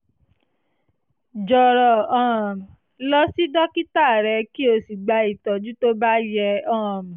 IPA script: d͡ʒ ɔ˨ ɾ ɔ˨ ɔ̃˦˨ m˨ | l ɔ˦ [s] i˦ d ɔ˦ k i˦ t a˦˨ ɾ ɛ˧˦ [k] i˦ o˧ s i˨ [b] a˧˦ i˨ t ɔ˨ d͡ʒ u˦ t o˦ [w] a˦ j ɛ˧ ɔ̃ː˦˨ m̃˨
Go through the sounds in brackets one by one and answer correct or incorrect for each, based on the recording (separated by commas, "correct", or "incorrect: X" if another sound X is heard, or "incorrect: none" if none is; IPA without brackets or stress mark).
correct, correct, incorrect: ɡ͡b, incorrect: b